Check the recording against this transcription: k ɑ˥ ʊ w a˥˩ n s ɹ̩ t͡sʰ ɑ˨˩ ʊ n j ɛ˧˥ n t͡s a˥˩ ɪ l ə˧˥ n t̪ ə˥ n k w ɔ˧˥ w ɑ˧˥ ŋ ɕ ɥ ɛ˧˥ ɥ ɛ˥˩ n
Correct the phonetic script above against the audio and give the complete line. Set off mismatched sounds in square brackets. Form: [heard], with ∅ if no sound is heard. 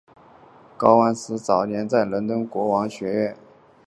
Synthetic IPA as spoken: k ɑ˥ ʊ w [a˥] n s ɹ̩ [t͡s] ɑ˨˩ ʊ n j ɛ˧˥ n t͡s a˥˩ ɪ l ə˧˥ n t̪ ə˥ n k w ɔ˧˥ w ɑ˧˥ ŋ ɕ ɥ ɛ˧˥ ɥ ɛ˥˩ n